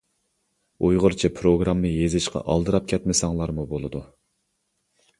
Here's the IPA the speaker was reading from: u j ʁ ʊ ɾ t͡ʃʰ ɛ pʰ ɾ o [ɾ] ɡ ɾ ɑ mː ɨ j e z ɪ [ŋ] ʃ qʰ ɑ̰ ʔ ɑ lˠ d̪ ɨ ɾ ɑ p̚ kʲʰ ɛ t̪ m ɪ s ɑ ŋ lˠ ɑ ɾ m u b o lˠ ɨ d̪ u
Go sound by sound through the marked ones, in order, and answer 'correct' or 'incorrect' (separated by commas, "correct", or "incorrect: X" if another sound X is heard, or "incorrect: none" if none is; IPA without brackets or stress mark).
incorrect: none, incorrect: none